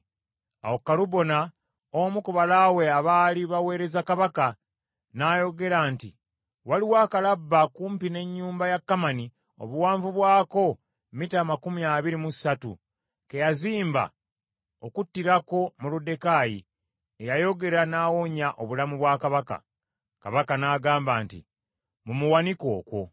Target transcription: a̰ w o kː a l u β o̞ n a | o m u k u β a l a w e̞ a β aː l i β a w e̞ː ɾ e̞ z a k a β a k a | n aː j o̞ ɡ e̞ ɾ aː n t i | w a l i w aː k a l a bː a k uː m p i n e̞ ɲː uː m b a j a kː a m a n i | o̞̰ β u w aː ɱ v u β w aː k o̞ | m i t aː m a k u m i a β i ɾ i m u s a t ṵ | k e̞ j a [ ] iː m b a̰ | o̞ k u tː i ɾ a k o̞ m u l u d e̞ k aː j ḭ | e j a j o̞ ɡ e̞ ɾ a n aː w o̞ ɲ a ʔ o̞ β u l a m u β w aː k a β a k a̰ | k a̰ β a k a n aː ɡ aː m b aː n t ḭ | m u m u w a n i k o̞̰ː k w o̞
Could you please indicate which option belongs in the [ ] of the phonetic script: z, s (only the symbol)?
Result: z